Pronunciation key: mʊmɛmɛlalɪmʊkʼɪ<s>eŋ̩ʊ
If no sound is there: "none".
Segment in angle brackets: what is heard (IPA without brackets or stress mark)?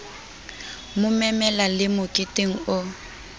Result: t